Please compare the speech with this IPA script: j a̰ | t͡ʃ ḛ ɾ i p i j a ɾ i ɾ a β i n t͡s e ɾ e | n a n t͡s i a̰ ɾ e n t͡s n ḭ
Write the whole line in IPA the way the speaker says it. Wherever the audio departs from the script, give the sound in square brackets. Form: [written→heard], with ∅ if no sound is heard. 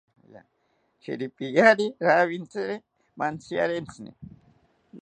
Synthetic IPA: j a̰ | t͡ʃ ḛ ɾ i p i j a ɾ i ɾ a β i n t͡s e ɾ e | [n→m] a n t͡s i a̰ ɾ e n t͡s n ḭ